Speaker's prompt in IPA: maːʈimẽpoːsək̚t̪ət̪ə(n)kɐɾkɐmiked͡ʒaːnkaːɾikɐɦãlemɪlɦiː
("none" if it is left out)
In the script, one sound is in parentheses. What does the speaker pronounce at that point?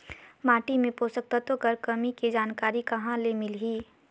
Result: none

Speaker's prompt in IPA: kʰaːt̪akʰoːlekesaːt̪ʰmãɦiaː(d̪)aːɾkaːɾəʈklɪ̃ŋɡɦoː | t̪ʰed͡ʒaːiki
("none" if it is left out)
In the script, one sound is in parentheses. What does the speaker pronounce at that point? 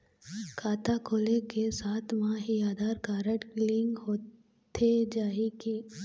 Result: d̪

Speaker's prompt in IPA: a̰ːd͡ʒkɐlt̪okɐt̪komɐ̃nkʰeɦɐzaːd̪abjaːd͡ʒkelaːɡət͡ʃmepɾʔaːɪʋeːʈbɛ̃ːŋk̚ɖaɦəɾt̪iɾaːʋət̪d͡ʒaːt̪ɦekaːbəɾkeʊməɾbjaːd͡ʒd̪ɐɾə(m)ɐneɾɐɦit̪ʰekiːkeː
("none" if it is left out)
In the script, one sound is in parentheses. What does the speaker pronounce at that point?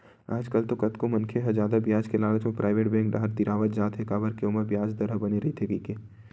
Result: b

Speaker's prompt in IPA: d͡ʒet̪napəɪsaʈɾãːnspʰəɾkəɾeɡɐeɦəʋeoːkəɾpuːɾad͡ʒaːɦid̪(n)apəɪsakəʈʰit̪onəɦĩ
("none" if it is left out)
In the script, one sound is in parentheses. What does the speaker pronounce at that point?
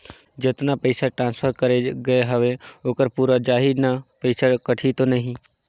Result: n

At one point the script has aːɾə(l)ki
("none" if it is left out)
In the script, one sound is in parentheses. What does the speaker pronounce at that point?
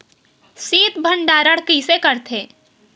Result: ɽ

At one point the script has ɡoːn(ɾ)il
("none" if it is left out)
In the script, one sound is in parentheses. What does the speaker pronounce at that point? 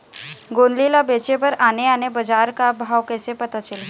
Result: l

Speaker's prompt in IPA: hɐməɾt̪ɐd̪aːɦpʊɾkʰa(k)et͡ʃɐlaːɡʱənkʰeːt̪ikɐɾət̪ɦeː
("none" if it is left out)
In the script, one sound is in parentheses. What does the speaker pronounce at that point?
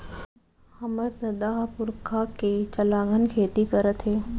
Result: k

